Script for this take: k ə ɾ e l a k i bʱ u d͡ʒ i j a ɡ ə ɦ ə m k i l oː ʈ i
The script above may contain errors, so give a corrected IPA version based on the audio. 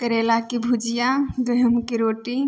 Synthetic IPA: k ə ɾ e l a k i bʱ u d͡ʒ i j a ɡ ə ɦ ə m k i ɾ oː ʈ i